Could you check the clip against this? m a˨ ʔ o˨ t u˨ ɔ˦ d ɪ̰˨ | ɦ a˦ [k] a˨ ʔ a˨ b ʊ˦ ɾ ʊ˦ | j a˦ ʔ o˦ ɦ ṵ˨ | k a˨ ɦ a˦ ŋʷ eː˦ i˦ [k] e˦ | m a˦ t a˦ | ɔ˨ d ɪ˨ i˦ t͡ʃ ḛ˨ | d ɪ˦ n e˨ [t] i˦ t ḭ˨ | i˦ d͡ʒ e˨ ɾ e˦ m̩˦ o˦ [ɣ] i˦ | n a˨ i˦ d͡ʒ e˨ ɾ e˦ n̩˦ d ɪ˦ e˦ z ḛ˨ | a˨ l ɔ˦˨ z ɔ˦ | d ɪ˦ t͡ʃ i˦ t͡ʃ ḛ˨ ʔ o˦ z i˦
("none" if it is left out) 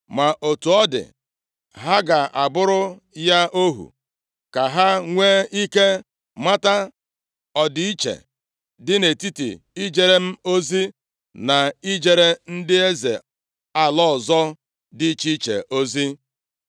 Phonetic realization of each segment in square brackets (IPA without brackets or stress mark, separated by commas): ɡ, k, t, z